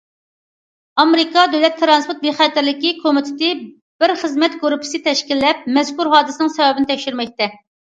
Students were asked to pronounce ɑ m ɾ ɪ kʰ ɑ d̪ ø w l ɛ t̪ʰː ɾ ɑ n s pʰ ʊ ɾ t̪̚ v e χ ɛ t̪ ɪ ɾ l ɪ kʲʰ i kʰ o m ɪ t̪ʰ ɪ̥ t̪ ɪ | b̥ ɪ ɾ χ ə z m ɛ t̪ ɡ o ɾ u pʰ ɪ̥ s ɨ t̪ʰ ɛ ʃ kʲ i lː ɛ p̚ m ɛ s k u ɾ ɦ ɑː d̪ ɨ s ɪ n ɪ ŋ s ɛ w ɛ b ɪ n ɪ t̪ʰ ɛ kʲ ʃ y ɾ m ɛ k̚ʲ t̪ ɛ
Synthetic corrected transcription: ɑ m ɾ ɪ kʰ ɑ d̪ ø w l ɛ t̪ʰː ɾ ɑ n s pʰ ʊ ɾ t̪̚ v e χ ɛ t̪ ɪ ɾ l ɪ kʲ i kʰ o m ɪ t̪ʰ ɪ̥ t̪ ɪ | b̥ ɪ ɾ χ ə z m ɛ t̪ ɡ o ɾ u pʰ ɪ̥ s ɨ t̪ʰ ɛ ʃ kʲ i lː ɛ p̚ m ɛ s k u ɾ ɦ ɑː d̪ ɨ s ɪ n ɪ ŋ s ɛ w ɛ b ɪ n ɪ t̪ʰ ɛ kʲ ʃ y ɾ m ɛ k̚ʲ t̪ ɛ

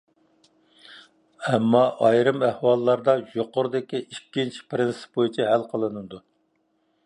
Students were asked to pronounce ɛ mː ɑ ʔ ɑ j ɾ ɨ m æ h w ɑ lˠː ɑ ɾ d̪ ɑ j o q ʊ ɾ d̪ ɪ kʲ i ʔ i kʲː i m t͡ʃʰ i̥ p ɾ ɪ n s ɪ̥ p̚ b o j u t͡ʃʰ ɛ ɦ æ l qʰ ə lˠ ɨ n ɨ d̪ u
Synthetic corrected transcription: ɛ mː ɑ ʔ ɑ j ɾ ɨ m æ h w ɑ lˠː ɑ ɾ d̪ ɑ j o q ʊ ɾ d̪ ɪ kʲ i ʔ i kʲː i n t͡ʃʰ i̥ p ɾ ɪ n s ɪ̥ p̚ b o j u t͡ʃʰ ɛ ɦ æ l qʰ ə lˠ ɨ n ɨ d̪ u

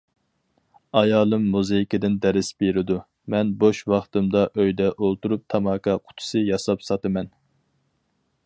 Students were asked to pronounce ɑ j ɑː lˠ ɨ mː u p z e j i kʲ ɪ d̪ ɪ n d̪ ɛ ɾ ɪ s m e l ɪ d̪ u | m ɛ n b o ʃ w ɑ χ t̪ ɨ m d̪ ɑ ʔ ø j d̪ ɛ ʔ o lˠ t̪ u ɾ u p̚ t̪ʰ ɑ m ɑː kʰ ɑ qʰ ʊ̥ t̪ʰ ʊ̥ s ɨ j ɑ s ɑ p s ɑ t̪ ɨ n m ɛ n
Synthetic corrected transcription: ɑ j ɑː lˠ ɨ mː u z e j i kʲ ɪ d̪ ɪ n d̪ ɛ ɾ ɪ s b e ɾ ɪ d̪ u | m ɛ n b o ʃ w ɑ χ t̪ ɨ m d̪ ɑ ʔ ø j d̪ ɛ ʔ o lˠ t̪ u ɾ u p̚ t̪ʰ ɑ m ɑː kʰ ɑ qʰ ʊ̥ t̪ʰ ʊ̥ s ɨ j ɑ s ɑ p s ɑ t̪ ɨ m ɛ n

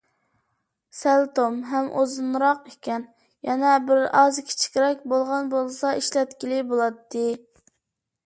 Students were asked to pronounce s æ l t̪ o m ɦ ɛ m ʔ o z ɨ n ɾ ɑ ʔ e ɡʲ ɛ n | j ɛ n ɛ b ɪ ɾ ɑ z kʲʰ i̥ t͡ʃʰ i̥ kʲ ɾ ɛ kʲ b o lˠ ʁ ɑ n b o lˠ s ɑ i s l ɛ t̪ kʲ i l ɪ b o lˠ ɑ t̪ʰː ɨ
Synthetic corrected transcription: s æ l t̪ o m ɦ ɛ m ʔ o z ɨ n ɾ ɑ q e kʲ ɛ n | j ɛ n ɛ b ɪ ɾ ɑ z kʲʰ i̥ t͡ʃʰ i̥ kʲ ɾ ɛ kʲ b o lˠ ʁ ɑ n b o lˠ s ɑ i ʃ l ɛ t̪ kʲ i l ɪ b o lˠ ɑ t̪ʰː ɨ

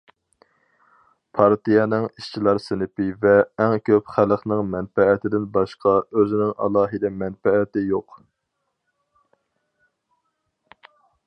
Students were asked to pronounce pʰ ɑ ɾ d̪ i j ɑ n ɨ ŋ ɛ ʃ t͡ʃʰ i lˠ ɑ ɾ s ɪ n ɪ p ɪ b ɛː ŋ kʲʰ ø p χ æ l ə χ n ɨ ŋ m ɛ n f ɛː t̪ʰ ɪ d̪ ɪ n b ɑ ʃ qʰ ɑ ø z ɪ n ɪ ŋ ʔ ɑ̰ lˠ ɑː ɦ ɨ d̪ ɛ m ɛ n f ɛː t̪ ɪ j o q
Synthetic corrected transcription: pʰ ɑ ɾ t̪ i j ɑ n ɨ ŋ i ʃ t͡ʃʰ i lˠ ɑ ɾ s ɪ n ɪ p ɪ v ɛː ŋ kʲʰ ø p χ æ l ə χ n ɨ ŋ m ɛ n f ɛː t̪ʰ ɪ d̪ ɪ n b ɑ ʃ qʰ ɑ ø z ɪ n ɪ ŋ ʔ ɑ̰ lˠ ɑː ɦ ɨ d̪ ɛ m ɛ n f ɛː t̪ ɪ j o q

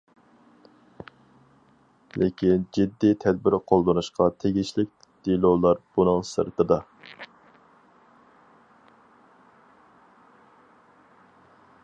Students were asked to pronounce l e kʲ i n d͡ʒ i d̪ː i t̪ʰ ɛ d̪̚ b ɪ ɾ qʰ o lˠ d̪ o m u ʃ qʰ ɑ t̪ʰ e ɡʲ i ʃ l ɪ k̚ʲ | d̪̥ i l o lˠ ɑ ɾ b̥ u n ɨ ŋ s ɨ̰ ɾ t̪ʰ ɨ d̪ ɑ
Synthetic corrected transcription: l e kʲ i n d͡ʒ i d̪ː i t̪ʰ ɛ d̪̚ b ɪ ɾ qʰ o lˠ d̪ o n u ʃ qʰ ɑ t̪ʰ e ɡʲ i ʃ l ɪ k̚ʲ | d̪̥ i l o lˠ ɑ ɾ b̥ u n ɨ ŋ s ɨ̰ ɾ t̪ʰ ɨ d̪ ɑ

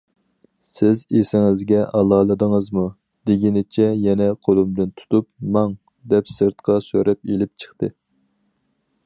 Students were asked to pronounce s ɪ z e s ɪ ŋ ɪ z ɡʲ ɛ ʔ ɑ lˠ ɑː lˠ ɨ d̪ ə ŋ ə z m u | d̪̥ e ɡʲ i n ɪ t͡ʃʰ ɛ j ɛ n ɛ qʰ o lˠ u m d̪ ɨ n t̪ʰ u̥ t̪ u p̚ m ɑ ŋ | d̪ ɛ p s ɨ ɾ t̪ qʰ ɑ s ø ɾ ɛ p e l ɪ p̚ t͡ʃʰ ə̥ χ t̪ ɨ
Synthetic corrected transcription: s ɪ z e s ɪ ŋ ɪ z ɡʲ ɛ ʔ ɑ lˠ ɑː lˠ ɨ d̪ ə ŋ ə z m u | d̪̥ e ɡʲ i n ɪ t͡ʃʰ ɛ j ɛ n ɛ qʰ o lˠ u m d̪ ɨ n t̪ʰ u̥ t̪ u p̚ m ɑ ŋ | d̪ ɛ p s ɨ ɾ t̪ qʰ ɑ s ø ɾ ɛ p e l ɪ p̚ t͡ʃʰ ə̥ χ t̪ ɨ

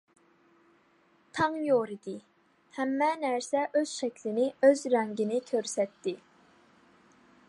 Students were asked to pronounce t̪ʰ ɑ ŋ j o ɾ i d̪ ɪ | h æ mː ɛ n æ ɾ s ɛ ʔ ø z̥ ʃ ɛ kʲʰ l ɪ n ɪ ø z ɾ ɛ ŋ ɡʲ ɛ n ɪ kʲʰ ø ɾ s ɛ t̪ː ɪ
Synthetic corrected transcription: t̪ʰ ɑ ŋ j o ɾ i d̪ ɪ | h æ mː ɛ n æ ɾ s ɛ ʔ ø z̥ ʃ ɛ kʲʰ l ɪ n ɪ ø z ɾ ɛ ŋ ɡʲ i n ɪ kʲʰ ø ɾ s ɛ t̪ː ɪ

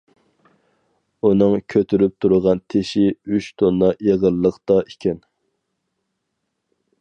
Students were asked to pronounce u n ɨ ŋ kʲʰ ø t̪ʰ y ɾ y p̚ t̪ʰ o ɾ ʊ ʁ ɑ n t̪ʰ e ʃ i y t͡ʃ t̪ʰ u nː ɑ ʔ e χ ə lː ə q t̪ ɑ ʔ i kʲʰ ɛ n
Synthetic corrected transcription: u n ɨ ŋ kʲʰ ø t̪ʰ y ɾ y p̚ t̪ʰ u ɾ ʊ ʁ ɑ n t̪ʰ e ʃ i y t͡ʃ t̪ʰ o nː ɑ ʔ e ʁ ə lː ə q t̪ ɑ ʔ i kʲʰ ɛ n

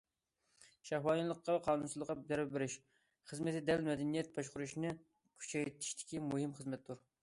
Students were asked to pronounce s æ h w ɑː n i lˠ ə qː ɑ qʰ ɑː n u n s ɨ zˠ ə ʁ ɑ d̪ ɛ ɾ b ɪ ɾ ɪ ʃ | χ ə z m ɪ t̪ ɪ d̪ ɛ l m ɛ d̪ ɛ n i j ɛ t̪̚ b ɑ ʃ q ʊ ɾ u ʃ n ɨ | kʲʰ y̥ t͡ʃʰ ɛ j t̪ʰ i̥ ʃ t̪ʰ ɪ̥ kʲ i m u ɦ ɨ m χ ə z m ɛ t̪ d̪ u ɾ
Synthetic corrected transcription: ʃ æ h w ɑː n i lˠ ə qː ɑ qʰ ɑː n u n s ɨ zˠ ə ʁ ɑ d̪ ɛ ɾ b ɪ ɾ ɪ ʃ | χ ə z m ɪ t̪ ɪ d̪ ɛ l m ɛ d̪ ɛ n i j ɛ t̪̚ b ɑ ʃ q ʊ ɾ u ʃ n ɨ | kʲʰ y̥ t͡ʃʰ ɛ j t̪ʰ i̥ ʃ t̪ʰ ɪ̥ kʲ i m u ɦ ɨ m χ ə z m ɛ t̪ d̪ u ɾ

